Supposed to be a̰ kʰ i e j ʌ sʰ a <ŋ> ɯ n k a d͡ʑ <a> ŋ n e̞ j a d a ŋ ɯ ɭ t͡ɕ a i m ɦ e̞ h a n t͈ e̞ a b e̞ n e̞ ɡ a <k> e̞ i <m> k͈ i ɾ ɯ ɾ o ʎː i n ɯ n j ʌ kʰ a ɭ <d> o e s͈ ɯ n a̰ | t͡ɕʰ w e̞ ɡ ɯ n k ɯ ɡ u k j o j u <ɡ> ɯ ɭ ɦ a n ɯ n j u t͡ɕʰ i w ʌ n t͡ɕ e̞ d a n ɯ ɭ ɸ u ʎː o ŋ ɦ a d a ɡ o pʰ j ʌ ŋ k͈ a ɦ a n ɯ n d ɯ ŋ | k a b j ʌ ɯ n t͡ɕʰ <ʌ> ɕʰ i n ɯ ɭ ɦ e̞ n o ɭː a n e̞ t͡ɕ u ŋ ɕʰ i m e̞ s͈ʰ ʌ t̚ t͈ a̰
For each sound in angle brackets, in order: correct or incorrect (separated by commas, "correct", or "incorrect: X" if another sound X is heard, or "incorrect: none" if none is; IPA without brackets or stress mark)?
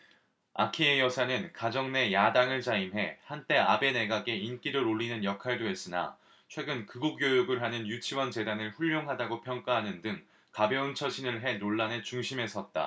incorrect: n, incorrect: ʌ, incorrect: ɡ, incorrect: n, correct, correct, correct